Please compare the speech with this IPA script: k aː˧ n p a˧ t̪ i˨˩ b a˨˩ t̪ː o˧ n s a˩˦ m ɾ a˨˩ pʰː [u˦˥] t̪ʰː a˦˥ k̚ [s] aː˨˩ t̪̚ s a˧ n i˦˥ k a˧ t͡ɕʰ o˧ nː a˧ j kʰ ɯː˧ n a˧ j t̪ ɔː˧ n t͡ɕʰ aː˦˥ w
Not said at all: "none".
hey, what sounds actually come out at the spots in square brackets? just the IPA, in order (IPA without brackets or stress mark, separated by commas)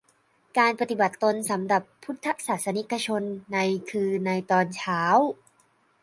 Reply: u˦˥, s